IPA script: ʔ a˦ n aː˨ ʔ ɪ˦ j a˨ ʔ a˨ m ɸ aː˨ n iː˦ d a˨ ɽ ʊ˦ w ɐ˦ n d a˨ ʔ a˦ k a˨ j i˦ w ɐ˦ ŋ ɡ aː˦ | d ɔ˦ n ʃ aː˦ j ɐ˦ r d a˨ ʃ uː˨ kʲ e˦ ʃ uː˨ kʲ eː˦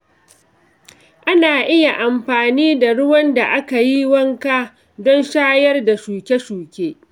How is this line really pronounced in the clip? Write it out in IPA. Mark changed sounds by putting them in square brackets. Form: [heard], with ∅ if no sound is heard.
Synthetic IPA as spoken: ʔ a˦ n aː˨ ʔ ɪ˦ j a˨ ʔ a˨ m ɸ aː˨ n iː˦ d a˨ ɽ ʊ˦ w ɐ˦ n d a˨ ʔ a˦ k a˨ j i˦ w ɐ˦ ŋ [k] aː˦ | d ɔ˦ n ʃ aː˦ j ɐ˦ r d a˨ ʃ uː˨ kʲ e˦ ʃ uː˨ kʲ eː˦